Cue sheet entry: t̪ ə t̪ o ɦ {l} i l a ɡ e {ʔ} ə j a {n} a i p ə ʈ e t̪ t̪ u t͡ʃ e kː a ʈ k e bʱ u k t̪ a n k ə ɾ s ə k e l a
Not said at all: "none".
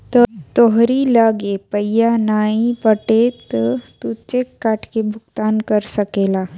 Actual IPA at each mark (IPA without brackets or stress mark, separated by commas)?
ɾ, p, n